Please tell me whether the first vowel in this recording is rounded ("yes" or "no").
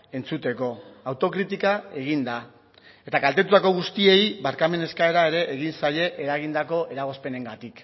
no